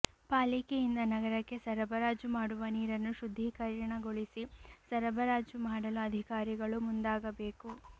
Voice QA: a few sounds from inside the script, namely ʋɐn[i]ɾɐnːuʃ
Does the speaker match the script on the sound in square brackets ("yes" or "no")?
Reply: no